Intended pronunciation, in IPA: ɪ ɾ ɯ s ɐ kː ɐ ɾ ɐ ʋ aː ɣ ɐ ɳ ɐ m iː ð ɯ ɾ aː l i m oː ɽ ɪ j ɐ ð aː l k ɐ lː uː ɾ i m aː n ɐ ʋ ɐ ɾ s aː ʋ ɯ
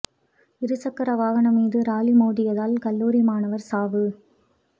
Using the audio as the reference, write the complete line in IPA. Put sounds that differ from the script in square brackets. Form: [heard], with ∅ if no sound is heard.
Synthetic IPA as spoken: ɪ ɾ ɯ s ɐ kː ɐ ɾ ɐ ʋ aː ɣ ɐ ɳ ɐ m iː ð ɯ ɾ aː l i m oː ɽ ɪ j ɐ ð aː l k ɐ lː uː ɾ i m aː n ɐ ʋ ɐ ɾ s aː ʋ ɯ

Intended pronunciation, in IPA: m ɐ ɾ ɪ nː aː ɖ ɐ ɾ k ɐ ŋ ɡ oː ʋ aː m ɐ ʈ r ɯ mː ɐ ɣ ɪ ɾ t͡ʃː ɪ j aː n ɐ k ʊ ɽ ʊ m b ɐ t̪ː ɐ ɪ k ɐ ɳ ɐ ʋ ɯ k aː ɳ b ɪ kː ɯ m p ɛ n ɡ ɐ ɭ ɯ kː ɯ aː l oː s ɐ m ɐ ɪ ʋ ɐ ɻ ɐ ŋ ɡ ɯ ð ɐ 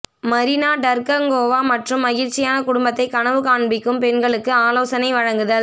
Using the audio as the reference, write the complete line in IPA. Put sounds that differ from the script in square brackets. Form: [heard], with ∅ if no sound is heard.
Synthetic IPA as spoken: m ɐ ɾ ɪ [n] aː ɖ ɐ ɾ k ɐ ŋ ɡ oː ʋ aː m ɐ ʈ r ɯ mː ɐ ɣ ɪ ɾ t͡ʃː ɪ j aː n ɐ k ʊ ɽ ʊ m b ɐ t̪ː ɐ ɪ k ɐ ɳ ɐ ʋ ɯ k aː ɳ b ɪ kː ɯ m p ɛ n ɡ ɐ ɭ ɯ kː ɯ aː l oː s ɐ [n] ɐ ɪ ʋ ɐ ɻ ɐ ŋ ɡ ɯ ð ɐ

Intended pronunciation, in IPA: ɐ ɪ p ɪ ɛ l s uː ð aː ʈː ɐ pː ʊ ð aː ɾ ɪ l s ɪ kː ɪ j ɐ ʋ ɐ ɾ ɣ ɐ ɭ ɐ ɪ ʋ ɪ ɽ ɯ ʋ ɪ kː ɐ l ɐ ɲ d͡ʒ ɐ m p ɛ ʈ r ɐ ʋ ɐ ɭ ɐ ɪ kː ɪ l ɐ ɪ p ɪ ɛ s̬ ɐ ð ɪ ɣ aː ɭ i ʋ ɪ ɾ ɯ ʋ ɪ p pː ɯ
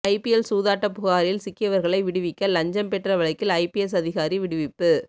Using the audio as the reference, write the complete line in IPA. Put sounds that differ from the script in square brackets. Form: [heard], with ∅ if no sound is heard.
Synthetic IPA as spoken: ɐ ɪ p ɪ ɛ l s uː ð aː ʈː ɐ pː ʊ [ɣ] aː ɾ ɪ l s ɪ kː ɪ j ɐ ʋ ɐ ɾ ɣ ɐ ɭ ɐ ɪ ʋ ɪ ɽ ɯ ʋ ɪ kː ɐ l ɐ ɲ d͡ʒ ɐ m p ɛ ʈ r ɐ ʋ ɐ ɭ ɐ ɪ kː ɪ l ɐ ɪ p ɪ ɛ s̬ ɐ ð ɪ ɣ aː [ɾ] i ʋ ɪ [ɽ] ɯ ʋ ɪ p pː ɯ

